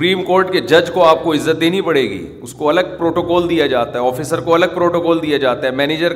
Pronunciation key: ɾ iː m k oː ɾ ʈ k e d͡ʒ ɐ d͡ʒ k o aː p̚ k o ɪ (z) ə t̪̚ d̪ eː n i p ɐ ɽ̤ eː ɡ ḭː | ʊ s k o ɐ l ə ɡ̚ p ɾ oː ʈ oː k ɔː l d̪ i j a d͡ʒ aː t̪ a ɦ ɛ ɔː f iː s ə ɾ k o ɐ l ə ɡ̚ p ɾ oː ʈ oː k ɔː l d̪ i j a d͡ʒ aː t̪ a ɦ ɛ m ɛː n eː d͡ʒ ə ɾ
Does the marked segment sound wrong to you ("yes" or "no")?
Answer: yes